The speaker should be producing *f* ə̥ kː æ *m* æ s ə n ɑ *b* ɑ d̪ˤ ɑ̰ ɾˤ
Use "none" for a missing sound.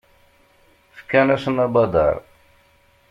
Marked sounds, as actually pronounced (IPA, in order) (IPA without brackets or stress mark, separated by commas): f, n, b